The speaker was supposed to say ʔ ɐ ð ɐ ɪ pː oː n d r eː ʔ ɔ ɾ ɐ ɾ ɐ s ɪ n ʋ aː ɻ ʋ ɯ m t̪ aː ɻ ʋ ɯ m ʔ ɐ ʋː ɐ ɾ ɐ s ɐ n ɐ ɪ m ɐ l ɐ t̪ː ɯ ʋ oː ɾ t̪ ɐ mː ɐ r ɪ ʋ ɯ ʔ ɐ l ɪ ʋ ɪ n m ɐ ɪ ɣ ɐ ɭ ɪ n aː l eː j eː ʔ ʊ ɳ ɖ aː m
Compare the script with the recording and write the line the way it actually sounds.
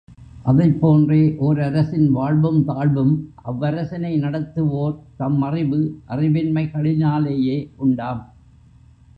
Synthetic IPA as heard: ʔ ɐ ð ɐ ɪ pː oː n d r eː ʔ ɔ ɾ ɐ ɾ ɐ s ɪ n ʋ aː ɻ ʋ ɯ m t̪ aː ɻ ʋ ɯ m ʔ ɐ ʋː ɐ ɾ ɐ s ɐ n ɐ ɪ n ɐ ɽ ɐ t̪ː ɯ ʋ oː ɾ t̪ ɐ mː ɐ r ɪ ʋ ɯ ʔ ɐ r ɪ ʋ ɪ n m ɐ ɪ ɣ ɐ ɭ ɪ n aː l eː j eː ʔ ʊ ɳ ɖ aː m